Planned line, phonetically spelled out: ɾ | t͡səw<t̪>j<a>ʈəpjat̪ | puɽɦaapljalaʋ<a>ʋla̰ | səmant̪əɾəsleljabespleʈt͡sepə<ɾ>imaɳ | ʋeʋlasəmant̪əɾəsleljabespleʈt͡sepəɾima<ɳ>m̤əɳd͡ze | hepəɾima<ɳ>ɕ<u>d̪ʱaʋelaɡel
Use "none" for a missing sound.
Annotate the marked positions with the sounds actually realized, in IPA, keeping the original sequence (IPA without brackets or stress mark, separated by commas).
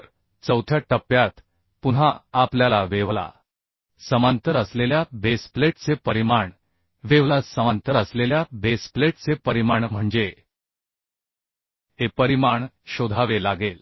t̪ʰ, a, e, ɾ, ɳ, ɳ, o